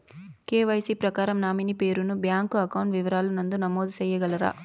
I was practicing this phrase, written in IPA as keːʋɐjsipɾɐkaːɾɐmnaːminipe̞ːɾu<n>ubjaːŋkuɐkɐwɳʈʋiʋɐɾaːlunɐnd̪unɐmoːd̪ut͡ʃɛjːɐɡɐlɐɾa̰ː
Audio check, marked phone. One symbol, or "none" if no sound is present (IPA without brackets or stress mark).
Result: n